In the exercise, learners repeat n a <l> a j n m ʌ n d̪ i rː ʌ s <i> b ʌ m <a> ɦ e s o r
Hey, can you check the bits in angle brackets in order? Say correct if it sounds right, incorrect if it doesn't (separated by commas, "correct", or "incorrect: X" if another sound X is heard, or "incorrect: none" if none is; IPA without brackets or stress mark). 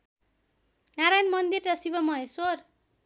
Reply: incorrect: ɾ, correct, incorrect: ʌ